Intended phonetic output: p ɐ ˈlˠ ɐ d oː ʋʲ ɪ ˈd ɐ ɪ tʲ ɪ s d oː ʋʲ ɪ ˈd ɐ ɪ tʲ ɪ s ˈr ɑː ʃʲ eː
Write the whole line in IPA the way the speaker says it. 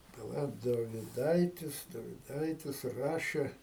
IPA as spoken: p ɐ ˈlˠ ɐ d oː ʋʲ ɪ ˈd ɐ ɪ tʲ ɪ s d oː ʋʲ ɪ ˈd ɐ ɪ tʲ ɪ s ˈr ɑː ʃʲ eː